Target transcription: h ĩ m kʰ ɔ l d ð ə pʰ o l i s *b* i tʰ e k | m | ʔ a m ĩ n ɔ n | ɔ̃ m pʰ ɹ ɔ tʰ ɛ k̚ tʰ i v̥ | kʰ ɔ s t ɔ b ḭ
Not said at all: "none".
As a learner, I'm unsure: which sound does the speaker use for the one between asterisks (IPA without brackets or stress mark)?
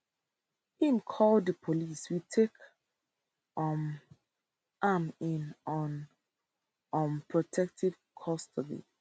w